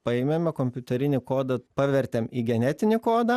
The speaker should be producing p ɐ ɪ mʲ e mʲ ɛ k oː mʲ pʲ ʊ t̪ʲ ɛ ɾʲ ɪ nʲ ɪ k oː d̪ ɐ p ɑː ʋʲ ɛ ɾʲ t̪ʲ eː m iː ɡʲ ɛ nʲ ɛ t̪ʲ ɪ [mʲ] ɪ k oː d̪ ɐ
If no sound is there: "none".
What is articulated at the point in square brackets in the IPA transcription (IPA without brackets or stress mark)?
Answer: nʲ